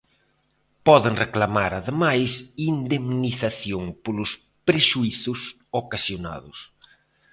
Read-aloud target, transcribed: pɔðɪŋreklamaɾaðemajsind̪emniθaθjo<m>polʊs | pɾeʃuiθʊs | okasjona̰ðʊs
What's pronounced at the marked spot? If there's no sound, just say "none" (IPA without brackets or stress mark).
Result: ŋ